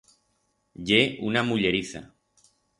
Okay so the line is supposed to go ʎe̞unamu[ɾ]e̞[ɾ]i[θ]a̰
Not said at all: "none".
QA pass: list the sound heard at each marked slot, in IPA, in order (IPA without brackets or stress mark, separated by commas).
ʎ, ɾ, θ